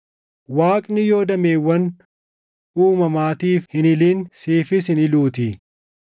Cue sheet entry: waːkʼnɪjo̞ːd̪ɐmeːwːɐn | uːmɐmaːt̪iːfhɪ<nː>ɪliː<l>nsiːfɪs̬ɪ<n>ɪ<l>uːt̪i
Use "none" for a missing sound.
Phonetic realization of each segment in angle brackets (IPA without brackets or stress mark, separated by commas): n, none, n, l